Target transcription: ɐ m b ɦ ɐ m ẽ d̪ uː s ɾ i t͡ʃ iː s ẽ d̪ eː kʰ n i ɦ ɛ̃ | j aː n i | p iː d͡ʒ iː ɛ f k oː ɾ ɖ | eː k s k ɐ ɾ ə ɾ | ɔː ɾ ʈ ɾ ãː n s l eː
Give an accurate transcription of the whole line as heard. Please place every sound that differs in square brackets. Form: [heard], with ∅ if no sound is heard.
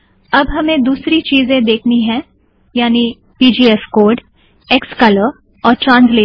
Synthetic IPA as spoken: ɐ [∅] b ɦ ɐ m ẽ d̪ uː s ɾ i t͡ʃ iː [z] ẽ d̪ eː kʰ n i ɦ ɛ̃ | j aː n i | p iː d͡ʒ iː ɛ f k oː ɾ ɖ | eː k s k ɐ [l] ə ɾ | ɔː ɾ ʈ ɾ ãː n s l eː